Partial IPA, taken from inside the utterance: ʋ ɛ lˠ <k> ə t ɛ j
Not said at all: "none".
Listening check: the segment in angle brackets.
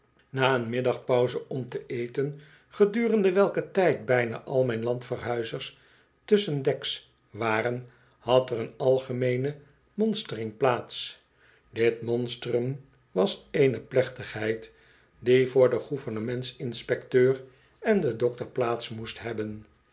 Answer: k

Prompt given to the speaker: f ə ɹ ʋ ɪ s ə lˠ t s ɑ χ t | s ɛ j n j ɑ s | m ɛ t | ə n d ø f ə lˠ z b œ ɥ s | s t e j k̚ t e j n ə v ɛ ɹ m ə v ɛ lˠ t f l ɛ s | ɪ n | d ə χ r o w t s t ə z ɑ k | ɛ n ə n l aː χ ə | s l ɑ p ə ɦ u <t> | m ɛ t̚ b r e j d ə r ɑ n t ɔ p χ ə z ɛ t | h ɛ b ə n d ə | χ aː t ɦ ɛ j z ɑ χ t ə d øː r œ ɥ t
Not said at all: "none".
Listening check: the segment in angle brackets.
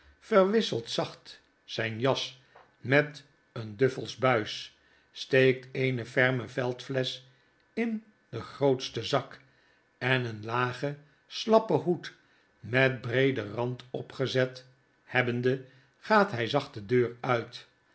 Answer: t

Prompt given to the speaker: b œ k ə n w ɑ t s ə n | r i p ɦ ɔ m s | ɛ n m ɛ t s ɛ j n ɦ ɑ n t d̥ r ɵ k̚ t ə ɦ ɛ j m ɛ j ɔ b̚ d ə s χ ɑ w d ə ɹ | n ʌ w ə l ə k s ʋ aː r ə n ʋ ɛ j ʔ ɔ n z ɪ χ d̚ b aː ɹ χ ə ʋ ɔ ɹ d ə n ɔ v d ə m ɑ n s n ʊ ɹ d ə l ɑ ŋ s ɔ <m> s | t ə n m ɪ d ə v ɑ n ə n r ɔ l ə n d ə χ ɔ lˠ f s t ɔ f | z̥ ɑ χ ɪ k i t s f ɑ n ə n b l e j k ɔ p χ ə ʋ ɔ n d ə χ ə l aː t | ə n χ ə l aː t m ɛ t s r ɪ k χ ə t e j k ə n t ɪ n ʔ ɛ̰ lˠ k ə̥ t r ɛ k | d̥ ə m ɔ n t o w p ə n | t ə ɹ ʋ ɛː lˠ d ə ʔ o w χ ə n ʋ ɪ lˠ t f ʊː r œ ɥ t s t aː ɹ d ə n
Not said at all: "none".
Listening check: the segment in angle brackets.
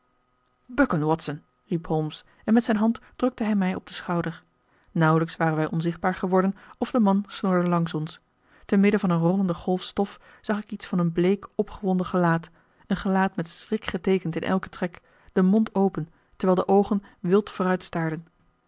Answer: n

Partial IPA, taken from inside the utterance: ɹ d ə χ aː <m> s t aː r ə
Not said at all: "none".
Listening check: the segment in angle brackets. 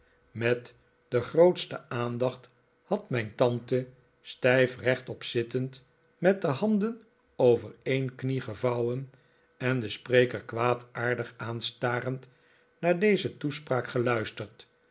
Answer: n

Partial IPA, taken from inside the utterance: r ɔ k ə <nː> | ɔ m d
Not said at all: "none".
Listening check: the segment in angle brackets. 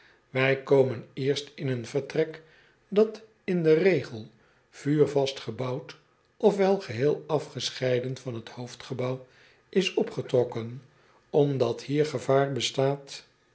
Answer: n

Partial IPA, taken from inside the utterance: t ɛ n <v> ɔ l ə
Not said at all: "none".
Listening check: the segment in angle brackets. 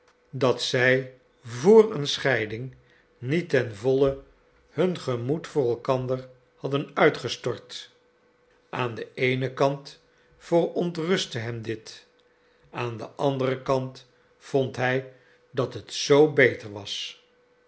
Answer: v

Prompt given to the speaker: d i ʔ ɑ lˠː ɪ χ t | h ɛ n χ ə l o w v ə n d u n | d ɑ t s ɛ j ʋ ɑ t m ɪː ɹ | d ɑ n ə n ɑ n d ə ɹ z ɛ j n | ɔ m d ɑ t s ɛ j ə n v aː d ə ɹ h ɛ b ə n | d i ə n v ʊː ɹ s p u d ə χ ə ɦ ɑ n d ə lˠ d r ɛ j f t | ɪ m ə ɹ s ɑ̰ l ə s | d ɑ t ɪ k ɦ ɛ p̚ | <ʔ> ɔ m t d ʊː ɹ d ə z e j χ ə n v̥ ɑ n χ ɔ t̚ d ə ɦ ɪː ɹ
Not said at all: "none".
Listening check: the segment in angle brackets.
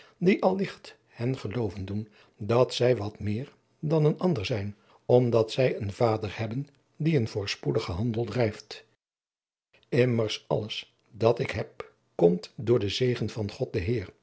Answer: k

